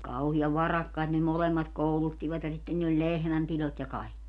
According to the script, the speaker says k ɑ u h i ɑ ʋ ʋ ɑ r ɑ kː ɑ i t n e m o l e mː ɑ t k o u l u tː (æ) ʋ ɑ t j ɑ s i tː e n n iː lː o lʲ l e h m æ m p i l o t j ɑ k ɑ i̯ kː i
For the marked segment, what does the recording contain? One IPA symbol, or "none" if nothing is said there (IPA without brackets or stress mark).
i